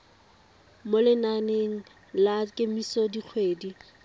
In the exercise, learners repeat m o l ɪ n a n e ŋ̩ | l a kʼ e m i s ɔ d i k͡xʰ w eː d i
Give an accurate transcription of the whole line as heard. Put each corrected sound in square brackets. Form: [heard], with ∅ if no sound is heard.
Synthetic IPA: m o l ɪ n a n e ŋ̩ | l a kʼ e m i s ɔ d i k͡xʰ w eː d i